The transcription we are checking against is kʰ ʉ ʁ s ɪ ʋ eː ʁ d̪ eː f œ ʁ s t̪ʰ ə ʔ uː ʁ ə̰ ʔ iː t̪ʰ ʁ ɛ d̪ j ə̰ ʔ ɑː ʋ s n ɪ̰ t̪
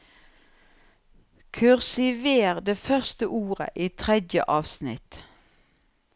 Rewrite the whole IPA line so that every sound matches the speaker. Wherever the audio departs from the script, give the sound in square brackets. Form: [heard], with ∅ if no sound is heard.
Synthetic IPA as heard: kʰ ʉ ʁ s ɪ ʋ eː ʁ d̪ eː f œ ʁ s [t̪] ə ʔ uː ʁ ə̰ ʔ iː t̪ʰ ʁ ɛ d̪ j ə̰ ʔ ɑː ʋ s n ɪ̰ t̪